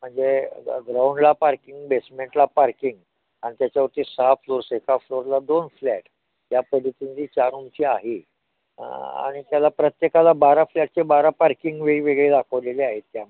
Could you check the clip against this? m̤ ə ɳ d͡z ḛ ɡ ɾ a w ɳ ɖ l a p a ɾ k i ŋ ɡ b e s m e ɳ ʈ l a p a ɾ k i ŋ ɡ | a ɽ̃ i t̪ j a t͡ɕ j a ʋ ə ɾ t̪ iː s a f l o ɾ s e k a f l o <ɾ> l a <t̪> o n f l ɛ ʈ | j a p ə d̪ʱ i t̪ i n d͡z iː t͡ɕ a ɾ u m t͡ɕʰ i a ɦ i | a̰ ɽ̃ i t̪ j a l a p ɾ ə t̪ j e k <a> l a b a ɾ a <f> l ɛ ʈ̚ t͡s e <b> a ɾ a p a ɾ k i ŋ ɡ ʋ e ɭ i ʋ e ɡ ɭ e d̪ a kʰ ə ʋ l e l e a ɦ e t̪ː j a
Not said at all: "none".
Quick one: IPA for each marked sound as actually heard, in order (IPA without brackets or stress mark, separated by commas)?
ɾ, d̪, a, f, b